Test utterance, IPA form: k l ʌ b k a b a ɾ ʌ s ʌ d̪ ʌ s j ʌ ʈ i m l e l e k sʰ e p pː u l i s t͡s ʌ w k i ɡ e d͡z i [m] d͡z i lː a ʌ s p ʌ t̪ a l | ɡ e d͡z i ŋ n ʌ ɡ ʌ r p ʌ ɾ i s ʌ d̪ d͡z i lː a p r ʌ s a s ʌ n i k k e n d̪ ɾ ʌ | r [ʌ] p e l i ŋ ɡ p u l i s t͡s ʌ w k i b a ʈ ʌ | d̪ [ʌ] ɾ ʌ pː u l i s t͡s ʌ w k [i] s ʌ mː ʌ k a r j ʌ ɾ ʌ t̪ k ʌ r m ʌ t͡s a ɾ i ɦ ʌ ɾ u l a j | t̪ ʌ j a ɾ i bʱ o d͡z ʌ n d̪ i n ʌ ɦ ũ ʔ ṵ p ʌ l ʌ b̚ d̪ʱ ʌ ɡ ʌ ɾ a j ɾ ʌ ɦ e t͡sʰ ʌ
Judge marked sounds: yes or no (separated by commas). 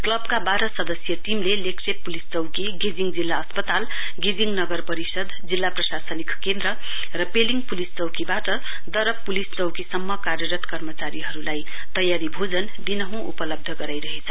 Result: no, yes, yes, yes